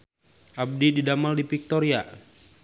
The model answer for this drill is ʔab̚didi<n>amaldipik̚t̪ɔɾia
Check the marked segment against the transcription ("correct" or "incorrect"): incorrect